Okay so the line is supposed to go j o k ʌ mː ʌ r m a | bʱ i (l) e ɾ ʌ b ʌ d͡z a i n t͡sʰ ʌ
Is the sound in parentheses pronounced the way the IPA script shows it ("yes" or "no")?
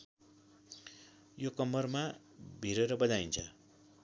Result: no